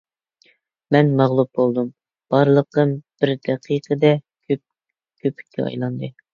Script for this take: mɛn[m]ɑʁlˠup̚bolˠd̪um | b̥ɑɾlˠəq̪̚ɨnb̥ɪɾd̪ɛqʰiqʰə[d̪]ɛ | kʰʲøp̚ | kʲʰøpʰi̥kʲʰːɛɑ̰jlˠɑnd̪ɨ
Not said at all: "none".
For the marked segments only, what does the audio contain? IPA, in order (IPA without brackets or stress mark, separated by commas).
m, d̪